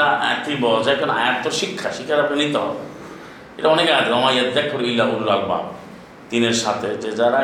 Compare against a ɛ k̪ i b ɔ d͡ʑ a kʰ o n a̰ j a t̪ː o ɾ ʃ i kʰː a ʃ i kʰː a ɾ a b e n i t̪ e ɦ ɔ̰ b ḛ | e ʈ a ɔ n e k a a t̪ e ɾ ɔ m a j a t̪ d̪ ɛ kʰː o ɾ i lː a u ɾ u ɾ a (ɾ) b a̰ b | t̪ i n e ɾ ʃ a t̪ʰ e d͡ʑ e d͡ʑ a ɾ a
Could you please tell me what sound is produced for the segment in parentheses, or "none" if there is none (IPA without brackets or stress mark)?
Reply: l